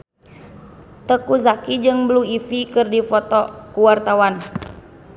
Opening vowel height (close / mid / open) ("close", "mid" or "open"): mid